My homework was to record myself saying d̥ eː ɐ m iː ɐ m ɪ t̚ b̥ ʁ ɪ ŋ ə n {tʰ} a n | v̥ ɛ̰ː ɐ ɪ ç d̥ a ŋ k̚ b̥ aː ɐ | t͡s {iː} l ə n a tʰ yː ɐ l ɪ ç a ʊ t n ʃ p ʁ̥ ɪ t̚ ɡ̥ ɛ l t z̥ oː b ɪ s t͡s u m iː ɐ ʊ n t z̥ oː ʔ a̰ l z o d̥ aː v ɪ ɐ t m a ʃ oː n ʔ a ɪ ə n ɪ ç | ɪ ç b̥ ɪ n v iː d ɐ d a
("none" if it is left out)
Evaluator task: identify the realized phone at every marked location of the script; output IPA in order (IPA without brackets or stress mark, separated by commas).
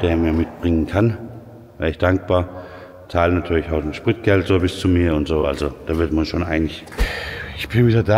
kʰ, aː